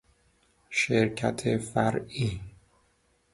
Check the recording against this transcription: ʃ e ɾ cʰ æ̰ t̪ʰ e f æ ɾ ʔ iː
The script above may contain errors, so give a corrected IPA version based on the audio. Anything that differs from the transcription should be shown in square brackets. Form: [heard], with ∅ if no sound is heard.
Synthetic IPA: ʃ e ɾ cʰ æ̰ t̪ʰ e f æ ɾ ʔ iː